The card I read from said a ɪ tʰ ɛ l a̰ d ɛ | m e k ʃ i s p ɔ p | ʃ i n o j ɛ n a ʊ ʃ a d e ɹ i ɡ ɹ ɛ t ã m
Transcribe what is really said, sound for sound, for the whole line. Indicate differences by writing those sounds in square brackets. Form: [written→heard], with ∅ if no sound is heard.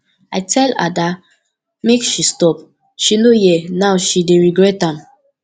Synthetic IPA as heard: a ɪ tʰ ɛ l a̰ d [ɛ→a] | m e k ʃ i s [p→t] ɔ p | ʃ i n o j ɛ n a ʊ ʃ [a→i] d e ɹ i ɡ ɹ ɛ t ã m